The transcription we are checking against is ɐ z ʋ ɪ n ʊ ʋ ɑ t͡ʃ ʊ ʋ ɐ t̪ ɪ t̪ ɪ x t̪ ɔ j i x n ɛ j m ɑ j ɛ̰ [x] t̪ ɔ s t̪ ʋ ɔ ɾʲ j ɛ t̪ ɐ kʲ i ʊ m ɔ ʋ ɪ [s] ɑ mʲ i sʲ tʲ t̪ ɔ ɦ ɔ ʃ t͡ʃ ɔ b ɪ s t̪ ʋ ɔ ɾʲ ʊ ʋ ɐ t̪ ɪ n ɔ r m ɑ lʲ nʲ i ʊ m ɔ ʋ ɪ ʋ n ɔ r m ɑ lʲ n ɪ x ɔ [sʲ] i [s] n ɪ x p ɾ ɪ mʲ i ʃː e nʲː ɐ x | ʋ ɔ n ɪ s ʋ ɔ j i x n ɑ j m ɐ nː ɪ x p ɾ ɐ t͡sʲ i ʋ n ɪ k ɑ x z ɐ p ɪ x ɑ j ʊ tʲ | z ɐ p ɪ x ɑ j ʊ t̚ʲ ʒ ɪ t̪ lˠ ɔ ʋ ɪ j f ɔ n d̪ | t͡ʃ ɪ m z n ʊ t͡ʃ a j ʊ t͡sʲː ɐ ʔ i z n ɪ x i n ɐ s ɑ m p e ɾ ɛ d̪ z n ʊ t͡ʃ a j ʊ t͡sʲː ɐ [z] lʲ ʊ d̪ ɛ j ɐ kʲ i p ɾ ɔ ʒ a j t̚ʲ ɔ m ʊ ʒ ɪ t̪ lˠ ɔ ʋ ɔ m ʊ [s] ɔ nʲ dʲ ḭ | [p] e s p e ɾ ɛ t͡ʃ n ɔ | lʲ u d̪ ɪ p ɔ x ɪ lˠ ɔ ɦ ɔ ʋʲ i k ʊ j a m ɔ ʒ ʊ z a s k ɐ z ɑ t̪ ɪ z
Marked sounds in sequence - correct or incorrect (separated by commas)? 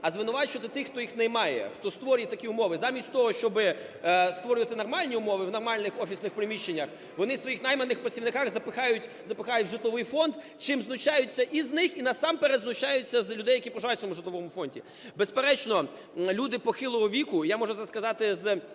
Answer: correct, incorrect, incorrect, correct, correct, incorrect, incorrect